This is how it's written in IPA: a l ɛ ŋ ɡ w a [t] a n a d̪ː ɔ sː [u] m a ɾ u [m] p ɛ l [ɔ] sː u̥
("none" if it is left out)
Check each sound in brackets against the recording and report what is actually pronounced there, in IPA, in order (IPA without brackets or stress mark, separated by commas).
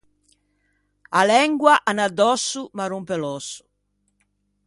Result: ʔ, u, m, ɔ